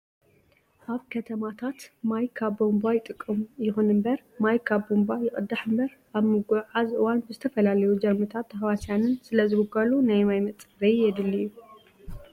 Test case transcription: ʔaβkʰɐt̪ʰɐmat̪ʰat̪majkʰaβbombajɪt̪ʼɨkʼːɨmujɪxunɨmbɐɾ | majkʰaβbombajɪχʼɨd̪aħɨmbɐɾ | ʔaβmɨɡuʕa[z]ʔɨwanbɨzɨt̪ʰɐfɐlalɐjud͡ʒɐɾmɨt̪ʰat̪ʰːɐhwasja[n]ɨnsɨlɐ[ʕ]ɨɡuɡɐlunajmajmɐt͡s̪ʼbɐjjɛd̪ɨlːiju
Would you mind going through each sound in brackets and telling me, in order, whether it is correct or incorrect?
correct, correct, incorrect: z

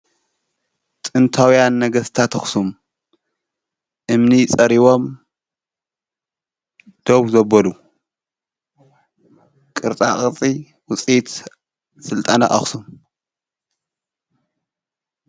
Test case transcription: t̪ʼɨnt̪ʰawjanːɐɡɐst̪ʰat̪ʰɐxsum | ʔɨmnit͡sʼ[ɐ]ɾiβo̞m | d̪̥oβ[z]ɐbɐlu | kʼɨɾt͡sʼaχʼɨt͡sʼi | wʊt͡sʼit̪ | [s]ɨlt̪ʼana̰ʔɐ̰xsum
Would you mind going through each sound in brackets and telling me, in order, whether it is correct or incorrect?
correct, correct, correct

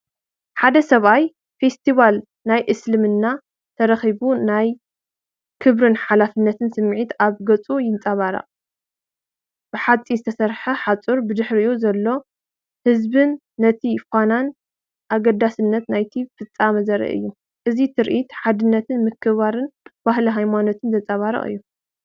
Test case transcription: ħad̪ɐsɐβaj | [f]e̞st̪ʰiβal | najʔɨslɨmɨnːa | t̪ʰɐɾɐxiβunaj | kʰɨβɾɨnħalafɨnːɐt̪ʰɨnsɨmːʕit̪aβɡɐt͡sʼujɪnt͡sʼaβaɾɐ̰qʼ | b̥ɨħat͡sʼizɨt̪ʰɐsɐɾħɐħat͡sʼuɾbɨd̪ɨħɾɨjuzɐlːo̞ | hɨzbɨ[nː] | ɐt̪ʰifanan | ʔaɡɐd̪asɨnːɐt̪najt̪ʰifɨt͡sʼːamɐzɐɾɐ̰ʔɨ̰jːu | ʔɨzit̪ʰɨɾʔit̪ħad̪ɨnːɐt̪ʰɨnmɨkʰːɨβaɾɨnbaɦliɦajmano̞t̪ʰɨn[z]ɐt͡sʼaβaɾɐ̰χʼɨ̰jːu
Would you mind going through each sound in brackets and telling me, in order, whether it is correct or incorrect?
correct, correct, correct

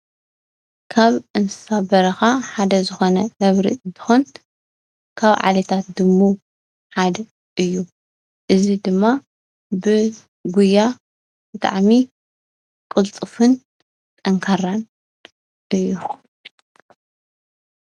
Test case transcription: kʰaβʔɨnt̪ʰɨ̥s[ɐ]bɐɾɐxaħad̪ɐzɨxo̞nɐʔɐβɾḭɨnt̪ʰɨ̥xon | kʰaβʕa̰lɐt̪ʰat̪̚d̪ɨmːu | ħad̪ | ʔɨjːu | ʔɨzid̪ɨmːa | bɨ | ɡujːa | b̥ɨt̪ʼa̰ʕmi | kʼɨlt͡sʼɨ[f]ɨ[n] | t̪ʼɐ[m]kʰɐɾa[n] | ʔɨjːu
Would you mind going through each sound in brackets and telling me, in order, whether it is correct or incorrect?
incorrect: a, correct, correct, incorrect: ŋ, correct

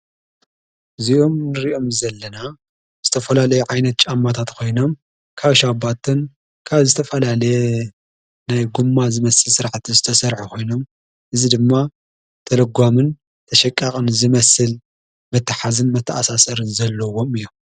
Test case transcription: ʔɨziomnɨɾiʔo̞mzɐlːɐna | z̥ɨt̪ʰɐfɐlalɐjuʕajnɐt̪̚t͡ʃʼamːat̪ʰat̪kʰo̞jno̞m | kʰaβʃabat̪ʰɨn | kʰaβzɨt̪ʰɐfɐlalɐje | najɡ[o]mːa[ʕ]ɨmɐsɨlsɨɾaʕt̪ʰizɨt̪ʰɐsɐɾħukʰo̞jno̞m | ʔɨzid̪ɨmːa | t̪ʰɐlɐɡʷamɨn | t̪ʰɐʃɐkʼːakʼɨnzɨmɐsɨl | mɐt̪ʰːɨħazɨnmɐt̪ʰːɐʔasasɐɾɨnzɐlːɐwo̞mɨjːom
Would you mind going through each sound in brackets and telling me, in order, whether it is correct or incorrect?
incorrect: u, incorrect: z

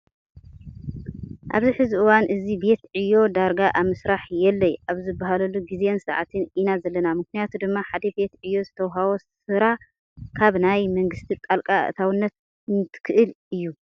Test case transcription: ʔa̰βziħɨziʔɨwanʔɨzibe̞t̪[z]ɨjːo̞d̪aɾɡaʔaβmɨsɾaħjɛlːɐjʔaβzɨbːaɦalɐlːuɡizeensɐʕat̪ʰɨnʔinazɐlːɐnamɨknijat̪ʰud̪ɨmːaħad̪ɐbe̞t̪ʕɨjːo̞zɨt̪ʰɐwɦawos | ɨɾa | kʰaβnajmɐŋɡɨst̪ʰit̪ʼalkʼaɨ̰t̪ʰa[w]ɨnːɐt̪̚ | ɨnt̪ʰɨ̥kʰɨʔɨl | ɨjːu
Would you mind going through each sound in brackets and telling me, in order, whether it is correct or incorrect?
incorrect: ʕ, correct

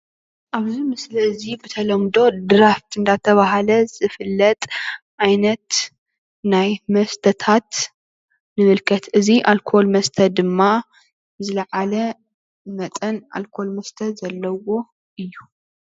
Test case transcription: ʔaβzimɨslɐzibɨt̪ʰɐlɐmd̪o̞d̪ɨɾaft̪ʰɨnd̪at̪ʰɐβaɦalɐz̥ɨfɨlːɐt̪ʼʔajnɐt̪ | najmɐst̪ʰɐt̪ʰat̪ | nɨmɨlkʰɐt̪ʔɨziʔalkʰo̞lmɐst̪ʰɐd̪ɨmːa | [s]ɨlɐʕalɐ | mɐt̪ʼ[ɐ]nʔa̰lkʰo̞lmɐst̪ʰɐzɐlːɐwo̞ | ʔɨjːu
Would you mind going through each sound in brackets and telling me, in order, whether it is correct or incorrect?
incorrect: z, correct

